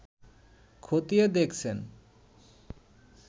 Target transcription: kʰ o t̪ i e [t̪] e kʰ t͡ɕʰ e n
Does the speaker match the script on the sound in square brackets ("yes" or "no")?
no